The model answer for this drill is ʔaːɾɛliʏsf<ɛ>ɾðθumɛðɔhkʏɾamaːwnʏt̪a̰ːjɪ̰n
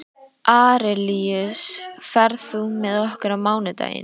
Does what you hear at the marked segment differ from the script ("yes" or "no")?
no